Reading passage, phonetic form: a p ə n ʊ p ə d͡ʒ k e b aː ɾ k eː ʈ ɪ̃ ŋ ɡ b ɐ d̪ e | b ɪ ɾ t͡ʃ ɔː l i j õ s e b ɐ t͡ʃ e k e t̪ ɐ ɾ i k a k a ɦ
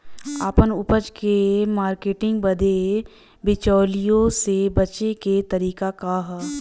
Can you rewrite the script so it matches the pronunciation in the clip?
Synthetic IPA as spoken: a p ə n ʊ p ə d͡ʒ k e m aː ɾ k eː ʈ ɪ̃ ŋ ɡ b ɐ d̪ e | b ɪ t͡ʃ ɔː l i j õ s e b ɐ t͡ʃ e k e t̪ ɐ ɾ iː k a k a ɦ